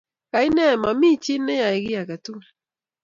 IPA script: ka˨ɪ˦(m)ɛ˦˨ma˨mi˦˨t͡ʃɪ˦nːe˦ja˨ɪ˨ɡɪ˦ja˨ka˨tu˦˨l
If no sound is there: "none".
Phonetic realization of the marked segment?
n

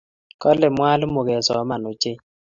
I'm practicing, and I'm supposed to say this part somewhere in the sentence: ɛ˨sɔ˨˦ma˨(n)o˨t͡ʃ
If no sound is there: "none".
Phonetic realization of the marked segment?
n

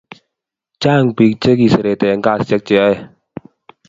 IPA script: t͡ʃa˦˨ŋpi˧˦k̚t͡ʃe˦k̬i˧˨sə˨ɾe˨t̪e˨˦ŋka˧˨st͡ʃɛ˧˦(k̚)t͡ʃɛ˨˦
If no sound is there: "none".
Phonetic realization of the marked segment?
k̚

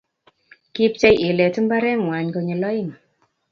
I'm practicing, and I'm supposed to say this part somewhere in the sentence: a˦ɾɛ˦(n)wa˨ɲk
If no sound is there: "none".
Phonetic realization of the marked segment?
ŋ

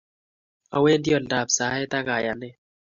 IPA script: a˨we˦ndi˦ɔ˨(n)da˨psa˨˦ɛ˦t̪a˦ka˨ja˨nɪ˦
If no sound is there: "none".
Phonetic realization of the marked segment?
n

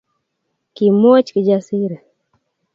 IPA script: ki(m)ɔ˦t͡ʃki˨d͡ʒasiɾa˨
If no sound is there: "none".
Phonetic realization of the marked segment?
m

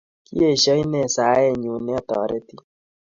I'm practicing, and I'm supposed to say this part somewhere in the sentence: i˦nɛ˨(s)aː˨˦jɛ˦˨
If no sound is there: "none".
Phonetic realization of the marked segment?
s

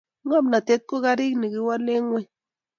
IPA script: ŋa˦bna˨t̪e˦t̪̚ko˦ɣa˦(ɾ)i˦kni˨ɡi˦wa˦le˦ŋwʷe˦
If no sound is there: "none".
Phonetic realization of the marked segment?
ɾ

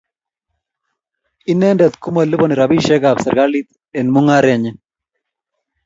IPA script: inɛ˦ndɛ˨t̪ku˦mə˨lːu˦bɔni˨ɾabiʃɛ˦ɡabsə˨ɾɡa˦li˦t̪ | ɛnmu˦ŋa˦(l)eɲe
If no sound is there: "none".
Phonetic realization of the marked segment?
ɾ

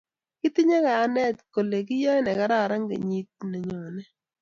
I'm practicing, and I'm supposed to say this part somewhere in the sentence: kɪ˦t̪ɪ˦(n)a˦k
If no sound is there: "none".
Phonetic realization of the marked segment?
ɲ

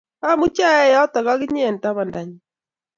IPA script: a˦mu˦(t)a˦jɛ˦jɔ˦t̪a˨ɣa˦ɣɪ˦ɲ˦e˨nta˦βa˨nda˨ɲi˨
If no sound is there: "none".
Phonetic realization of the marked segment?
t͡ʃ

